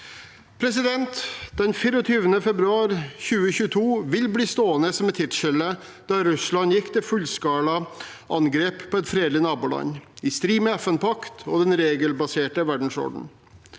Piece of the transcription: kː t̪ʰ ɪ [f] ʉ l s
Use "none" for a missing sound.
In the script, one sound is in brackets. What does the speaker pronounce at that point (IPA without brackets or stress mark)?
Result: f